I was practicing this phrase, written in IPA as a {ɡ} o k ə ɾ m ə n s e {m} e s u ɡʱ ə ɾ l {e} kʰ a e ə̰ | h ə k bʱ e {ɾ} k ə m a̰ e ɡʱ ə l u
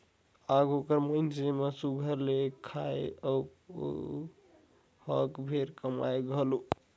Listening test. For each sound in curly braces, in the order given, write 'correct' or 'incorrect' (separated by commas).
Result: correct, correct, correct, correct